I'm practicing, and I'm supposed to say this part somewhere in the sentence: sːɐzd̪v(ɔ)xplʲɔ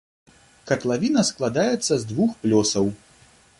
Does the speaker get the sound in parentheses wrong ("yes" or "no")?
yes